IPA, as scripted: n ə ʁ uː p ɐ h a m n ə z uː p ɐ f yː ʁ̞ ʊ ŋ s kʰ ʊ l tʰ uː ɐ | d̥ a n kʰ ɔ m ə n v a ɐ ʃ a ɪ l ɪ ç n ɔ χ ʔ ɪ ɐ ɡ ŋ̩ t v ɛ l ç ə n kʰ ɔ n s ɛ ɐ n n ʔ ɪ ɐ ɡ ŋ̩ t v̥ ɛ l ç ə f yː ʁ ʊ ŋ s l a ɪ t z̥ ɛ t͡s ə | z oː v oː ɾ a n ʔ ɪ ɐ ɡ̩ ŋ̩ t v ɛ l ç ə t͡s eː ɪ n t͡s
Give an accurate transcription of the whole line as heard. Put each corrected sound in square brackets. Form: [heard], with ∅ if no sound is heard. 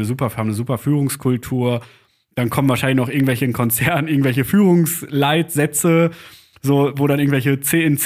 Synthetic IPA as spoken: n ə [z] uː p ɐ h a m n ə z uː p ɐ f yː ʁ̞ ʊ ŋ s kʰ ʊ l tʰ uː ɐ | d̥ a n kʰ ɔ m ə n v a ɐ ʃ a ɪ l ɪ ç n ɔ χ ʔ ɪ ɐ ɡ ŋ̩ t v ɛ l ç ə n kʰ ɔ n [t͡s] ɛ ɐ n n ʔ ɪ ɐ ɡ ŋ̩ t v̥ ɛ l ç ə f yː ʁ ʊ ŋ s l a ɪ t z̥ ɛ t͡s ə | z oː v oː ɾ a n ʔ ɪ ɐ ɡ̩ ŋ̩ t v ɛ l ç ə t͡s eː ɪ n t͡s